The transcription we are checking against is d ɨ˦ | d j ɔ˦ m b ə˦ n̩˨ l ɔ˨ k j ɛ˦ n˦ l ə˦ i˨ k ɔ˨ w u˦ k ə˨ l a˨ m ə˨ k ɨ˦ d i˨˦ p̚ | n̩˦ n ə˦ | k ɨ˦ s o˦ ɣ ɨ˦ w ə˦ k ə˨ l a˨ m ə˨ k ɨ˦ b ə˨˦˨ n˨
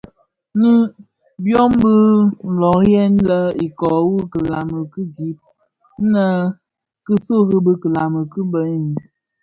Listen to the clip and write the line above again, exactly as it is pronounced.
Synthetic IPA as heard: n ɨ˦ | b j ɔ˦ m b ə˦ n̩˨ l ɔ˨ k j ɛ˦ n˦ l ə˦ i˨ k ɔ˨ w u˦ k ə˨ l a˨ m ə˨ k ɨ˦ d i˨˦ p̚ | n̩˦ n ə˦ | k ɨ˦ s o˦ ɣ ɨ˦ b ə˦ k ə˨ l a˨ m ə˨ k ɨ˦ b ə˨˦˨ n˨